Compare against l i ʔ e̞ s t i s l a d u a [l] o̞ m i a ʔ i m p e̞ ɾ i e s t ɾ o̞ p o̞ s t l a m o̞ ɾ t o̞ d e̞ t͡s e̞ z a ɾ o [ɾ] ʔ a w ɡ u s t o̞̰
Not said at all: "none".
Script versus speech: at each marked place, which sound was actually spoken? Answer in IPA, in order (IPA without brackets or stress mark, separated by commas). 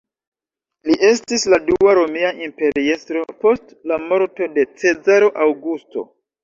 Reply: ɾ, none